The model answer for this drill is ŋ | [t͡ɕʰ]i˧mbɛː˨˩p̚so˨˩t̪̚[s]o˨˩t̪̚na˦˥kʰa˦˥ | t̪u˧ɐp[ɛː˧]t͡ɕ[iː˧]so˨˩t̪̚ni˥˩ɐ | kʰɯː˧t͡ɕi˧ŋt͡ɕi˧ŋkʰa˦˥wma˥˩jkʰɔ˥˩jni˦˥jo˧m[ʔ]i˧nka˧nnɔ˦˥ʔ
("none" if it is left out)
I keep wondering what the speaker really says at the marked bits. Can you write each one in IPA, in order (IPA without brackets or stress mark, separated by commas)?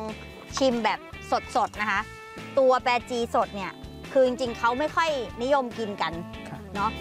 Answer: t͡ɕʰ, s, ɛː˧, iː˧, k